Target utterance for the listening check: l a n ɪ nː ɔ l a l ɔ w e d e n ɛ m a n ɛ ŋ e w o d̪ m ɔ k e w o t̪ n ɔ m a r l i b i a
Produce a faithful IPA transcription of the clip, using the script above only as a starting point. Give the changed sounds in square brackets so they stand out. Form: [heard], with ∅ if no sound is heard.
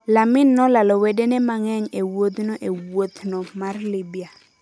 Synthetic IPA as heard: l a [m] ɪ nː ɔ l a l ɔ w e d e n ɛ m a [ŋ] ɛ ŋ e w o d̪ [n] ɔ [ʔ] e w o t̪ n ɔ m a r l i b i a